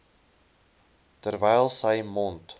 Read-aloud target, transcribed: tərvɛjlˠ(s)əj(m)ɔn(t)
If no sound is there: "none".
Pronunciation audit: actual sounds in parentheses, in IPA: s, m, t

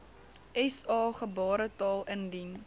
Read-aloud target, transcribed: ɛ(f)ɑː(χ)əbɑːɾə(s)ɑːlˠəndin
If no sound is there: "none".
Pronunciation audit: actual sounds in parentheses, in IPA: s, χ, t

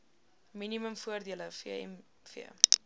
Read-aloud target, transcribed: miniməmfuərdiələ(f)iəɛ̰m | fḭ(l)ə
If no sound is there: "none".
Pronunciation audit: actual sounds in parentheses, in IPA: f, none

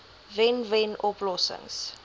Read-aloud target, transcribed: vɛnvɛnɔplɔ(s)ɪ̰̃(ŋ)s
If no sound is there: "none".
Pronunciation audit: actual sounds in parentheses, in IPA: s, ŋ

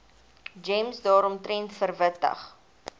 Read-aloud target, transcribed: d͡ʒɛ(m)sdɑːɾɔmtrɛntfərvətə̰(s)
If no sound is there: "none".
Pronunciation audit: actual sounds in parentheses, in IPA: m, χ

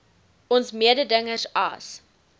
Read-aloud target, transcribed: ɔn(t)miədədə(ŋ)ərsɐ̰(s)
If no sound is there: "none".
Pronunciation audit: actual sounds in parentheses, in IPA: s, ŋ, s

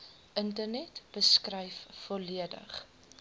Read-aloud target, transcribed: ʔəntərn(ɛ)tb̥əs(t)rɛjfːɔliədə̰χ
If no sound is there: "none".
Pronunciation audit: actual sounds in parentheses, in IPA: ɛ, k

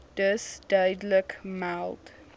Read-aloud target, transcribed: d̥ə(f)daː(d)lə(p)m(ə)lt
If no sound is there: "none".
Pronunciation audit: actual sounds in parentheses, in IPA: s, d, k, a

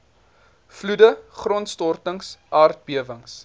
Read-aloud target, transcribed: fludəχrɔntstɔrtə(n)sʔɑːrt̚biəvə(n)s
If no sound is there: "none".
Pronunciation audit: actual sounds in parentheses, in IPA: ŋ, ŋ

